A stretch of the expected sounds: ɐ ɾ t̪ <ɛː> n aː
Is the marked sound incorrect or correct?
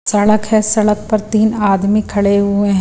incorrect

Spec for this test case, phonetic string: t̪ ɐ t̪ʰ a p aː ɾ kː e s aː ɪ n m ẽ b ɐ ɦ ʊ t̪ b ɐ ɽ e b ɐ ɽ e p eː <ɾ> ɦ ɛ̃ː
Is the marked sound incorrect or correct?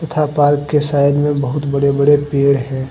incorrect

